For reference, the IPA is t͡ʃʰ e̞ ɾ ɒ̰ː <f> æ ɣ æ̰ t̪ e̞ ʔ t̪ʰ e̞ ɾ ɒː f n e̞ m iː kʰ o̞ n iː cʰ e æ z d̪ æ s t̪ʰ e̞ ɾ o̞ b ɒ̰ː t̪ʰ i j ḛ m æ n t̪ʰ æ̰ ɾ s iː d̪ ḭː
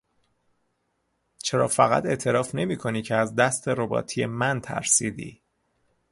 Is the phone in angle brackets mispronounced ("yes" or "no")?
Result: no